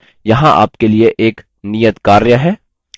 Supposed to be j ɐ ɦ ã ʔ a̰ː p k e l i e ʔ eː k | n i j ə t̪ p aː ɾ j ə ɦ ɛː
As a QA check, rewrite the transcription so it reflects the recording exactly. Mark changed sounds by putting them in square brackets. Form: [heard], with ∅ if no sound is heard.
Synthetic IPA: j ɐ ɦ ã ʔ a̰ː p k e l i e ʔ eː k | n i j ə t̪ [k] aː ɾ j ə ɦ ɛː